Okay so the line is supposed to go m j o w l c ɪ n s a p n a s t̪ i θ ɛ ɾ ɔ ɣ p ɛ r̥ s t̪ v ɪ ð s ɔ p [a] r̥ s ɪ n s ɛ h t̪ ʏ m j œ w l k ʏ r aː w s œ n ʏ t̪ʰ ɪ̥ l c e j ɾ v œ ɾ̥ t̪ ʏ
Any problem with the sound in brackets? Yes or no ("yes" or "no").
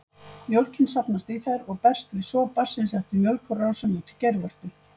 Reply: no